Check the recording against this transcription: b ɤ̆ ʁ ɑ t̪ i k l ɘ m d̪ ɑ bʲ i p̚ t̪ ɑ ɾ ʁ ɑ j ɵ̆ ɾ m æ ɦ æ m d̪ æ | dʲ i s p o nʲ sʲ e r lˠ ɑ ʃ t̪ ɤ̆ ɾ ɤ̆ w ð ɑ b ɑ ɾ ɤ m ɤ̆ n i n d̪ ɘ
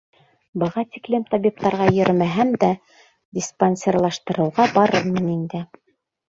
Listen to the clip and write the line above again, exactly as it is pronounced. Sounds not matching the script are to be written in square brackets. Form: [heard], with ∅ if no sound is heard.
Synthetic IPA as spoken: b ɤ̆ ʁ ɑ t̪ i k l ɘ m [t̪] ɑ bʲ i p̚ t̪ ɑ ɾ ʁ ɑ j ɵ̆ ɾ m æ ɦ æ m d̪ æ | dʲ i s p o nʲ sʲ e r lˠ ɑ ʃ t̪ ɤ̆ ɾ ɤ̆ w [ʁ] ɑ b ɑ ɾ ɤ m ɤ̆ n i n d̪ ɘ